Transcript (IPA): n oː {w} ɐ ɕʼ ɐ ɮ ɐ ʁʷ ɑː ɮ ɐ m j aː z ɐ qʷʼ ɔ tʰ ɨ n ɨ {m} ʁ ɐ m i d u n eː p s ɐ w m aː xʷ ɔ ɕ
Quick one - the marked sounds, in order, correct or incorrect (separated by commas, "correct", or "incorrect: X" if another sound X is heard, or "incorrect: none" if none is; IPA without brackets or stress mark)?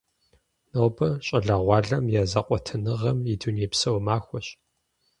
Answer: incorrect: b, incorrect: none